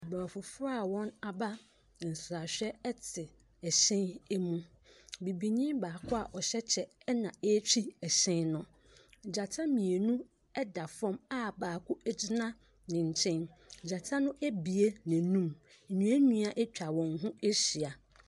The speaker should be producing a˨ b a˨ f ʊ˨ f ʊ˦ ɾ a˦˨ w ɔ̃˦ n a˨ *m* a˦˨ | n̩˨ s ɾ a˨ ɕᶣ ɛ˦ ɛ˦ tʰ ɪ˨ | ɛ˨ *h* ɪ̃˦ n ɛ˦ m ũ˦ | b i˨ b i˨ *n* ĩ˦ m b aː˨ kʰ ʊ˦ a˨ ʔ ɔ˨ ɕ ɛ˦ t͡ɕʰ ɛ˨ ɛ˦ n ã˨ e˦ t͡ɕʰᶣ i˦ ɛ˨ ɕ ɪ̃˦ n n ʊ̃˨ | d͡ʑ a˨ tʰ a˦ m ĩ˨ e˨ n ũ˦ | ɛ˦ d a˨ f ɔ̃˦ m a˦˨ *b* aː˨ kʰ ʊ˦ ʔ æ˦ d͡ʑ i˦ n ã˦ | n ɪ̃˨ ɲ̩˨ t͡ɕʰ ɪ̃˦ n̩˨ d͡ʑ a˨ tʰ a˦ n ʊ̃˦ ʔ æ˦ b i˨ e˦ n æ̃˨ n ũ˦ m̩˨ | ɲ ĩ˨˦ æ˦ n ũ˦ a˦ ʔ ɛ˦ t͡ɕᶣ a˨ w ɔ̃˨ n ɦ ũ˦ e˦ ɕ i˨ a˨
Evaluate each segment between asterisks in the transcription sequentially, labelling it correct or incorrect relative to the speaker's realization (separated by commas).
incorrect, incorrect, incorrect, correct